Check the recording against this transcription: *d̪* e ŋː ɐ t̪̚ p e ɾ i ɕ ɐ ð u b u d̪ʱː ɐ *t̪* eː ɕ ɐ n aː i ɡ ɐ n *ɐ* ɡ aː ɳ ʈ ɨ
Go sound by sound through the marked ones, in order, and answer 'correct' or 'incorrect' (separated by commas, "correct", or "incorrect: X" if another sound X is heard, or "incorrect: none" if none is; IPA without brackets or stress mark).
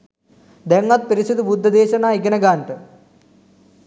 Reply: correct, incorrect: d̪, correct